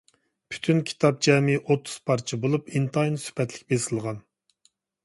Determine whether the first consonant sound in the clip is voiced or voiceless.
voiceless